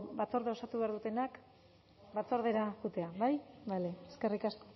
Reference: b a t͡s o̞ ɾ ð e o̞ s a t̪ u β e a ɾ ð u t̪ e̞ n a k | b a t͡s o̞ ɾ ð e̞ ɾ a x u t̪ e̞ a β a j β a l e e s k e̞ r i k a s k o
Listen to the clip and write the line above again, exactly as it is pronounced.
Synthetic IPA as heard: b a t͡s o̞ ɾ ð e o̞ s a t̪ u β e a ɾ ð u t̪ e̞ n a k | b a t͡s o̞ ɾ ð e̞ ɾ a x u t̪ e̞ a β a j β a l e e s k e̞ r i k a s k o